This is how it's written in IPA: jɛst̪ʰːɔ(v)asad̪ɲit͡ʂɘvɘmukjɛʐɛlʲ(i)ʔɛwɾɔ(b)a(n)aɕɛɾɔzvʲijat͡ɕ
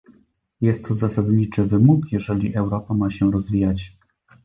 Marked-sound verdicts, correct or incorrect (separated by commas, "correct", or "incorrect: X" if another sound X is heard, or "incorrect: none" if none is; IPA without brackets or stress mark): incorrect: z, correct, incorrect: p, incorrect: m